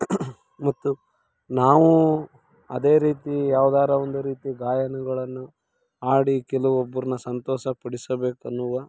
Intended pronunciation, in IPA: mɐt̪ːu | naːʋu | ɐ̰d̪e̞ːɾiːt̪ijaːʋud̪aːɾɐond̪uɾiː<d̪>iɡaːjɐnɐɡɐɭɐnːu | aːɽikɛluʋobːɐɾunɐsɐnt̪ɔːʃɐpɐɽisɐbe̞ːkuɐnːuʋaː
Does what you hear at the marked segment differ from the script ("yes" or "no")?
yes